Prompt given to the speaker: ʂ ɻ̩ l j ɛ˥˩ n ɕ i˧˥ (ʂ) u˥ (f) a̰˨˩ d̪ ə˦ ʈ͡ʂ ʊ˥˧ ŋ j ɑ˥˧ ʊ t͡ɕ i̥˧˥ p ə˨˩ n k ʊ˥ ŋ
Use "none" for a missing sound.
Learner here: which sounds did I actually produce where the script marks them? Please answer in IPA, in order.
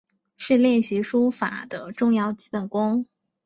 ʂ, f

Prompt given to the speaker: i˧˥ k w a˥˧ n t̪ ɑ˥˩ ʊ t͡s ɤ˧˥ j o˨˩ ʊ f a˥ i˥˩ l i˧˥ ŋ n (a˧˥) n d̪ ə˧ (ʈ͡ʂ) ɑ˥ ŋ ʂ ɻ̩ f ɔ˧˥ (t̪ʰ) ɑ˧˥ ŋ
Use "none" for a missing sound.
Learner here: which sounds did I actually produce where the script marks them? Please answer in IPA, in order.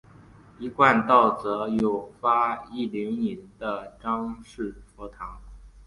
i˧˥, ʈ͡ʂ, t̪ʰ

